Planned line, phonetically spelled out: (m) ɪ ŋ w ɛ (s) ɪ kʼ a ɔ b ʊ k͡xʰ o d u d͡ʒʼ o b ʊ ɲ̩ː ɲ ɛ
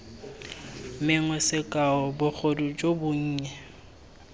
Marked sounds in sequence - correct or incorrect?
correct, correct

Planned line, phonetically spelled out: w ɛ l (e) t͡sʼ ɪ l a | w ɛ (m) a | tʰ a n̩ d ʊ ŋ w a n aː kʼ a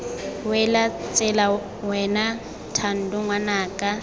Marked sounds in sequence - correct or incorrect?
incorrect: a, incorrect: n

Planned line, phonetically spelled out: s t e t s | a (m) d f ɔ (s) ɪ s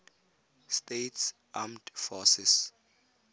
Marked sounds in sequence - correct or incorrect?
correct, correct

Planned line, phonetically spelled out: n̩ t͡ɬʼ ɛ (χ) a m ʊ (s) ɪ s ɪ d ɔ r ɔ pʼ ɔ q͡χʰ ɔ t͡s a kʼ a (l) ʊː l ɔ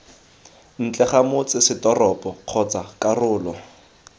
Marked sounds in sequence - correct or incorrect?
correct, incorrect: t͡s, incorrect: r

